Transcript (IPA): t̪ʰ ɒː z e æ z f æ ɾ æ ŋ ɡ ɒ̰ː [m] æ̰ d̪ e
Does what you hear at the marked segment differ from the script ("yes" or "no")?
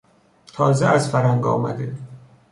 no